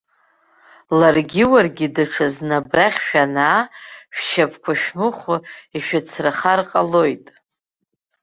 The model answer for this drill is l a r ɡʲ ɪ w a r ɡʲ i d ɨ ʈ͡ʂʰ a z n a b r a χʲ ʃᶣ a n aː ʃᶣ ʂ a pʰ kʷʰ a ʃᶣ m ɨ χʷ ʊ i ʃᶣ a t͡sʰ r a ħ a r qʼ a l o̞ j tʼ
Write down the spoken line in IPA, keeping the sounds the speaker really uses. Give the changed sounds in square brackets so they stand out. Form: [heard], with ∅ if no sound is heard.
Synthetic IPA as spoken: l a r ɡʲ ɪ w a r ɡʲ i d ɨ ʈ͡ʂʰ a z n a b r a χʲ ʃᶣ a n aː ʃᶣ [ʃ] a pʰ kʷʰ a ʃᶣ m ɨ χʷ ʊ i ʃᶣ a t͡sʰ r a [χ] a r qʼ a l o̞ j tʼ